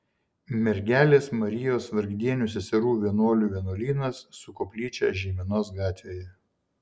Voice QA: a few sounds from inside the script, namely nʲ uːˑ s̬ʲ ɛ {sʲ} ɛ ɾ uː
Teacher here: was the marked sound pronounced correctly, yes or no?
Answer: yes